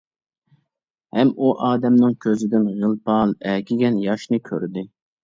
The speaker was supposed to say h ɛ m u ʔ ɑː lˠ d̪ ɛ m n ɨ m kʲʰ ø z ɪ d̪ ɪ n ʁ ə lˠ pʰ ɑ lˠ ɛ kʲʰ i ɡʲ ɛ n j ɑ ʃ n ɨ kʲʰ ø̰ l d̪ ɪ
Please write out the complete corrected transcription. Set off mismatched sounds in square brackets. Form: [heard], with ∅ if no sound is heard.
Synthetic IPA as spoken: h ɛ m u ʔ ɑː [∅] d̪ ɛ m n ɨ [ŋ] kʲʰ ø z ɪ d̪ ɪ n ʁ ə lˠ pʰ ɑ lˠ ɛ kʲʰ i ɡʲ ɛ n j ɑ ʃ n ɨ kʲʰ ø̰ [ɾ] d̪ ɪ